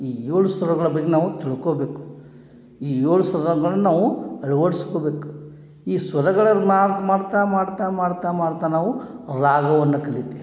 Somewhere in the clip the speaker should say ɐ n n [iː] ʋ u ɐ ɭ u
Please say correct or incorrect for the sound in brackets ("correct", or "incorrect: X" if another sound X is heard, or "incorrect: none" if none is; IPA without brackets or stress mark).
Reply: incorrect: aː